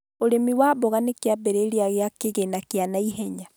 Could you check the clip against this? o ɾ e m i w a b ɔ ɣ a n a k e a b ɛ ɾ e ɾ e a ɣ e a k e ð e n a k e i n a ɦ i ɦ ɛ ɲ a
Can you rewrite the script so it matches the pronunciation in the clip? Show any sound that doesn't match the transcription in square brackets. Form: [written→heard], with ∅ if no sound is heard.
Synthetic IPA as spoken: o ɾ e m i w a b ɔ ɣ a n [a→e] k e a b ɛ ɾ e ɾ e a ɣ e a k e [ð→ɣ] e n a k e [i→a] n a [ɦ→∅] i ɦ ɛ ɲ a